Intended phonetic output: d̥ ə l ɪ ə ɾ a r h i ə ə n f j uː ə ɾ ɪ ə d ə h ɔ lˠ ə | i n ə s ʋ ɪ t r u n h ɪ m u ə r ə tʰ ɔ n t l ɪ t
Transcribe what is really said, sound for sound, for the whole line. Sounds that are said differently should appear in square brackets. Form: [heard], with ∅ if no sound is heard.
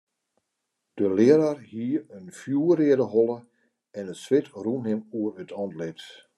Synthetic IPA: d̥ ə l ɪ ə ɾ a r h i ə ə n f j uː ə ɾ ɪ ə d ə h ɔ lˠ ə | [ɛ] n ə s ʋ ɪ t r u n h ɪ m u ə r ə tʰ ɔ n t l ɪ t